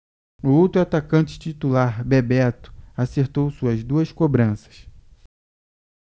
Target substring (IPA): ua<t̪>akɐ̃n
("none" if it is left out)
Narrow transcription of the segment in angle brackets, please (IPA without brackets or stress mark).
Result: t̪